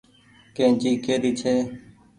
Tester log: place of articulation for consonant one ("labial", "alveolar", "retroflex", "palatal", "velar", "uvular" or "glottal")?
velar